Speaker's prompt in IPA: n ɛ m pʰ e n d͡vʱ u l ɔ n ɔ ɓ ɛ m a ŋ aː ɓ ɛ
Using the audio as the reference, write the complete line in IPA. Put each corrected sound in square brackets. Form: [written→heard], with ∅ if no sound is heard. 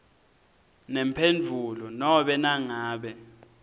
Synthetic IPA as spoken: n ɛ m pʰ e n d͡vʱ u l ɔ n ɔ ɓ ɛ [m→n] a ŋ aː ɓ ɛ